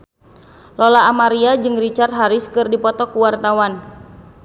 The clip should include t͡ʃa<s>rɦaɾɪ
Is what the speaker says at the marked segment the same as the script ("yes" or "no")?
no